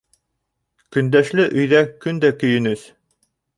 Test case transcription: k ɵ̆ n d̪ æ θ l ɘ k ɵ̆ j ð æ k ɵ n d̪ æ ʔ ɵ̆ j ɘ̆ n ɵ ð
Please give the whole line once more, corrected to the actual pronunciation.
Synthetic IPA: k ɵ̆ n d̪ æ ʃ l ɘ ʔ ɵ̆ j ð æ k ɵ n d̪ æ k ɵ̆ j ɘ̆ n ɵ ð